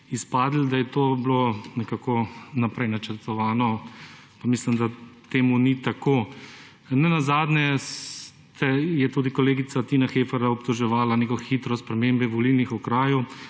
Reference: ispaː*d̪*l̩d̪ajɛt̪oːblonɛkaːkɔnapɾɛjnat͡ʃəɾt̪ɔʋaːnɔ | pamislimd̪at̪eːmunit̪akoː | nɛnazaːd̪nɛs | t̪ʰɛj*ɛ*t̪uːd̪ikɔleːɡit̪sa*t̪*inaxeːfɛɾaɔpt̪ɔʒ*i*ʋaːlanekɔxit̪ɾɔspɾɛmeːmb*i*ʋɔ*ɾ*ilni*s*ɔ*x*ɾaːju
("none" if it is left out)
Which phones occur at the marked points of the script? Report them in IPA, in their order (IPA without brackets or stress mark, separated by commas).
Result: d̪, ɛ, t̪, ɛ, ɛ, l, x, k